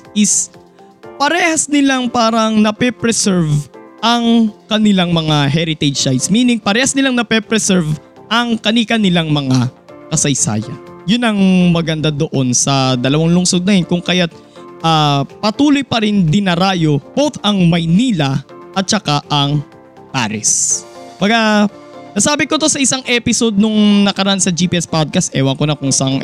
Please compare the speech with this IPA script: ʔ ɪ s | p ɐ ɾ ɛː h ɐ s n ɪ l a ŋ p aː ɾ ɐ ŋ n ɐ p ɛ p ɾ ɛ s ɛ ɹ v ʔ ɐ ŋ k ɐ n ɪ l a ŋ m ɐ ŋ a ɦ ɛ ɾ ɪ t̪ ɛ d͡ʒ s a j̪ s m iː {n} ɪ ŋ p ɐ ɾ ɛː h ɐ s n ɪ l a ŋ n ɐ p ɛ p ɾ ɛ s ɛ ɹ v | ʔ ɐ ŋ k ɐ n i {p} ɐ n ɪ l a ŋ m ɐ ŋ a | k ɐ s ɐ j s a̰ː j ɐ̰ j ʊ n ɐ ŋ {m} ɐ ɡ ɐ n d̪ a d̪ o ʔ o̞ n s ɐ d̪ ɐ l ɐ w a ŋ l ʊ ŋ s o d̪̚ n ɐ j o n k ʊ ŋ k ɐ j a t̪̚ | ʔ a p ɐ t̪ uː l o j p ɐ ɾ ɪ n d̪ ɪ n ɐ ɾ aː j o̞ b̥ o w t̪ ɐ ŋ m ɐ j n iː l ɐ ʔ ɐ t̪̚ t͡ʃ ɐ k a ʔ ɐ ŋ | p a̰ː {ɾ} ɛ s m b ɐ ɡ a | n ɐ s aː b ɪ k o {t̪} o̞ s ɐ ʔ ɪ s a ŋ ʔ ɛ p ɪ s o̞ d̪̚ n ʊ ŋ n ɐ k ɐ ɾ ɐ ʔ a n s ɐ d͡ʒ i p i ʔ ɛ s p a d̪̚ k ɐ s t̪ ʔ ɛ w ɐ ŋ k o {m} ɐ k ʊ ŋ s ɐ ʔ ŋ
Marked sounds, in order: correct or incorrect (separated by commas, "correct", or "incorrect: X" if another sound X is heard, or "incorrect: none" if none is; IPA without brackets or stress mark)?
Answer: correct, incorrect: k, correct, correct, correct, incorrect: n